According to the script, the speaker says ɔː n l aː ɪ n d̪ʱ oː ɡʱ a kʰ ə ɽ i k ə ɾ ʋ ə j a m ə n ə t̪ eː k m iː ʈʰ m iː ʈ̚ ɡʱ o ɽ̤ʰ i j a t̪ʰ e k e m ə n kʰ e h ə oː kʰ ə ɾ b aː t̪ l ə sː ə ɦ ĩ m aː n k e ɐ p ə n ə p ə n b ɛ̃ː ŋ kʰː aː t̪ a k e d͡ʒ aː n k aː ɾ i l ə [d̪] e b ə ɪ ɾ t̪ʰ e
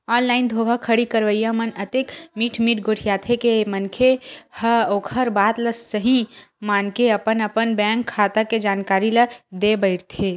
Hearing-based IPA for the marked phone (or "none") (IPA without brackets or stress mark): d̪